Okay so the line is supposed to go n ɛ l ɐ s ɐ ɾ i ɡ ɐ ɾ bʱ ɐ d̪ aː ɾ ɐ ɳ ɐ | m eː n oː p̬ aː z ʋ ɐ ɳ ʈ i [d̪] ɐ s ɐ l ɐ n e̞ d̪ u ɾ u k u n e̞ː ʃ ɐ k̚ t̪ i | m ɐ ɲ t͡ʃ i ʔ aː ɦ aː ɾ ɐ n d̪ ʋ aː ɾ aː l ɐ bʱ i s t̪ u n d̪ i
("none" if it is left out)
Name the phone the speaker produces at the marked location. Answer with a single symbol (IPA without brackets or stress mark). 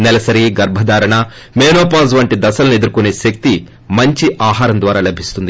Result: d̪